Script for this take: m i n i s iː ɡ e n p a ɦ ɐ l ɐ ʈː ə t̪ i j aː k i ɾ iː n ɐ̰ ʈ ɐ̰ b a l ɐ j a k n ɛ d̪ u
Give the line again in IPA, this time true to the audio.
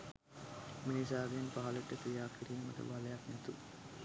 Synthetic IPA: m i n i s aː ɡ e n p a ɦ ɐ l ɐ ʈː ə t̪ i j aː k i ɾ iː m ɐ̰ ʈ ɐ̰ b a l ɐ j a k n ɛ t̪ u